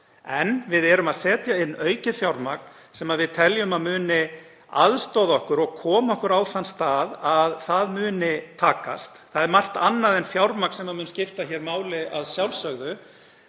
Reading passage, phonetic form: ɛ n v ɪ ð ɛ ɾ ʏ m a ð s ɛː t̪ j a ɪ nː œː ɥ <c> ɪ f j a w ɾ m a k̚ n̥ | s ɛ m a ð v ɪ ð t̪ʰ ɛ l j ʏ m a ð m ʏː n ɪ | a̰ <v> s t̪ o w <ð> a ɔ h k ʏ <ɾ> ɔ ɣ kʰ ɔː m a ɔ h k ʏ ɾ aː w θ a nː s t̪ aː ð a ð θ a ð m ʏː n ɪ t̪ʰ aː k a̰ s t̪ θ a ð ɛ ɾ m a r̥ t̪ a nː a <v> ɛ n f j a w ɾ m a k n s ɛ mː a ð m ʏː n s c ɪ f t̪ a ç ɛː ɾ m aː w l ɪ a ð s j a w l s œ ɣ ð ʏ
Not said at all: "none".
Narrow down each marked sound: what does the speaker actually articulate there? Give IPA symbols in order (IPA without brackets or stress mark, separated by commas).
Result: c, ð, ð, ɾ, ð